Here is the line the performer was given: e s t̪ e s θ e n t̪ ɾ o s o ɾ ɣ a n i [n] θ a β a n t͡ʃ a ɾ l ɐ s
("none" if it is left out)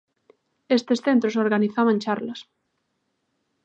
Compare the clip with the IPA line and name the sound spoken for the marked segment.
none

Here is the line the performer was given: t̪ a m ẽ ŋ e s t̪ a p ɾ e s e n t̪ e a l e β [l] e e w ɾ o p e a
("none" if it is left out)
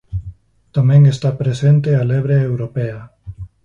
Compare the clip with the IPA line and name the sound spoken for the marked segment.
ɾ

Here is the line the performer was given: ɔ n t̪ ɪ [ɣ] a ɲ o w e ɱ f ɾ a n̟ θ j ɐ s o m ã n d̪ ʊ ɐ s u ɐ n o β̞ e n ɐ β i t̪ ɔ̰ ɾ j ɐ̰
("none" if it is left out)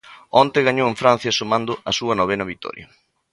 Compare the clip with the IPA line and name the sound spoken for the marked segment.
ɣ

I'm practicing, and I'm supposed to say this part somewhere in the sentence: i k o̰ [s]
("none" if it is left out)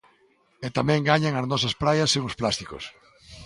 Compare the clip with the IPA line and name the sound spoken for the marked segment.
s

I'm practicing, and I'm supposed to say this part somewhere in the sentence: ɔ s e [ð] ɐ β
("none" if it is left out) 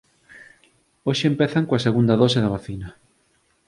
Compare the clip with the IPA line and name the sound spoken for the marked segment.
ð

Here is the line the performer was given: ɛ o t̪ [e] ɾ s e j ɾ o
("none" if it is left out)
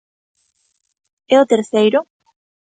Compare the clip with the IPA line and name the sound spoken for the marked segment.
e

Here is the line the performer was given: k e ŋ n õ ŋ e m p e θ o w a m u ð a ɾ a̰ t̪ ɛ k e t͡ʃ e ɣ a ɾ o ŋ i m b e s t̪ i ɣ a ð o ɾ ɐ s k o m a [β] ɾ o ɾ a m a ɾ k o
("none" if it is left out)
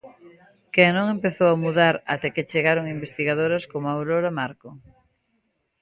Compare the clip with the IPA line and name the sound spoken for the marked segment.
w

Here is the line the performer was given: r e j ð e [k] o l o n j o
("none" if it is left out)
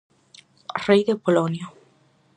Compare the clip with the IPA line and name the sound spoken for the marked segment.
p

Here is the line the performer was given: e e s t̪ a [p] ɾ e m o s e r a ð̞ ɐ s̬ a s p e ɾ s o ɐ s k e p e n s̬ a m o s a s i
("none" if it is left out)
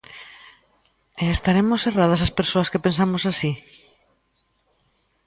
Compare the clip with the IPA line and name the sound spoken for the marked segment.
none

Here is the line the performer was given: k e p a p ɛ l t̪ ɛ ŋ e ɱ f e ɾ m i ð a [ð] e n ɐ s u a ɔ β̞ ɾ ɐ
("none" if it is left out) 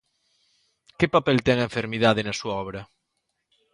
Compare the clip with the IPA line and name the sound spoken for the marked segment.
ð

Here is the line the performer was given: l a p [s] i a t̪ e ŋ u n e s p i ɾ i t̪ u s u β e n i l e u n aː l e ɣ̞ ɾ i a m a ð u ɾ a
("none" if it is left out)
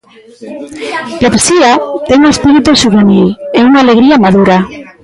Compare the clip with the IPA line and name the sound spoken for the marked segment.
s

